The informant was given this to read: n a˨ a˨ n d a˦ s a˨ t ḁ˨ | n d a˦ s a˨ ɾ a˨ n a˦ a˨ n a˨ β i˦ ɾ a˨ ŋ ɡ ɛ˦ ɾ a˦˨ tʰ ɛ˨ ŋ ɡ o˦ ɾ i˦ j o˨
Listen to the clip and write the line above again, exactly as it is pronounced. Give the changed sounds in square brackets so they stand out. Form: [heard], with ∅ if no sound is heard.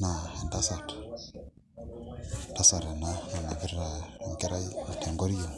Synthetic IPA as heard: n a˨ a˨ n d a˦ s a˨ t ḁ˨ | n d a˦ s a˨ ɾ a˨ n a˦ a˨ n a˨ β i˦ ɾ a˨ ŋ ɡ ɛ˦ ɾ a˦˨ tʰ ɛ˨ ŋ ɡ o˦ ɾ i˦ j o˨